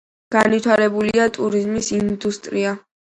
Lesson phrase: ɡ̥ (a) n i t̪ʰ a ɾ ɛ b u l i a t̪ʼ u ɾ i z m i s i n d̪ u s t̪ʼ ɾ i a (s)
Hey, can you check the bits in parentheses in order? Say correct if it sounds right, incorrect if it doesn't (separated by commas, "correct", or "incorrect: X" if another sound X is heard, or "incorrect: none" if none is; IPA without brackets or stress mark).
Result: correct, incorrect: none